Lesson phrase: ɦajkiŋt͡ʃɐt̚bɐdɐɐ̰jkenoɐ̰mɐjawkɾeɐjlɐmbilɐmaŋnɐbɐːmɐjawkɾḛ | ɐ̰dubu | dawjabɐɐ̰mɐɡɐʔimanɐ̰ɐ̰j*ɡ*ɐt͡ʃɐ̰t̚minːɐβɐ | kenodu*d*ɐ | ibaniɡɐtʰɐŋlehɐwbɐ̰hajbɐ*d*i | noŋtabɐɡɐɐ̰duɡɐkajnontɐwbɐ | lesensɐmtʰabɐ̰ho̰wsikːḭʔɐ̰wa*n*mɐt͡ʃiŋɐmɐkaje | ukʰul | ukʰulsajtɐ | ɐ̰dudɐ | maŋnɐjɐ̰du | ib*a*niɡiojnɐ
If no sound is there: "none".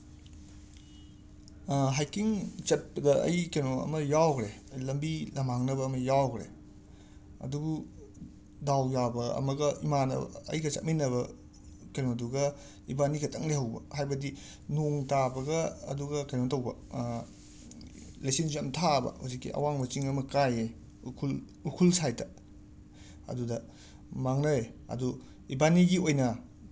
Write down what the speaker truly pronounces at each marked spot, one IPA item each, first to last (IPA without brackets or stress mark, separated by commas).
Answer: ɡ, ɡ, d, ŋ, a